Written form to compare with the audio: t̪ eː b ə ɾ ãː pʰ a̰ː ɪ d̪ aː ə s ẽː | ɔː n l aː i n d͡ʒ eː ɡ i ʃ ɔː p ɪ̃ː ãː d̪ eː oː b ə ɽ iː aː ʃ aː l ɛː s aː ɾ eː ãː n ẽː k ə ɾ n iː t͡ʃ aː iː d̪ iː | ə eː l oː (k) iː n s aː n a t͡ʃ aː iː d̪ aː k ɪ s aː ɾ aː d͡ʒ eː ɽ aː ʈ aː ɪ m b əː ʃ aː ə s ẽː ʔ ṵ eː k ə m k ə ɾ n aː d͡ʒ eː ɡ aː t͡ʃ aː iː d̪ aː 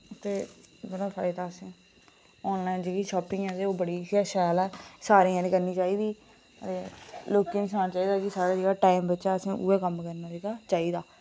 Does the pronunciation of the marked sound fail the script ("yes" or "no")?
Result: no